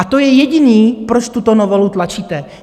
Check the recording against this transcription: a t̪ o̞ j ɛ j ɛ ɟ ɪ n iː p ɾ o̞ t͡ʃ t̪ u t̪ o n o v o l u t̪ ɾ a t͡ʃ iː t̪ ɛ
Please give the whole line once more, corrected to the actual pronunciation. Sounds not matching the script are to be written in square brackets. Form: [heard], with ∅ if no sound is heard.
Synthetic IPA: a t̪ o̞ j ɛ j ɛ ɟ ɪ n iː p ɾ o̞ t͡ʃ t̪ u t̪ o n o v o l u t̪ [l] a t͡ʃ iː t̪ ɛ